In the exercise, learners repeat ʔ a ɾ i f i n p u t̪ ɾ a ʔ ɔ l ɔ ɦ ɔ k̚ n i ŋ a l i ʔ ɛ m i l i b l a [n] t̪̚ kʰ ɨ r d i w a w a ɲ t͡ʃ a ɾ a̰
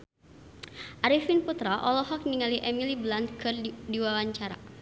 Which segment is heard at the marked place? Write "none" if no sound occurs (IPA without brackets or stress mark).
n